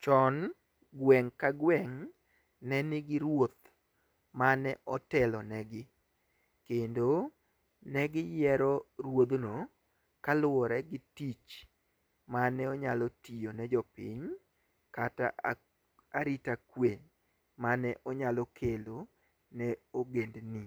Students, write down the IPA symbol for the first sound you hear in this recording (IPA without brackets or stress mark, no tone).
t͡ʃ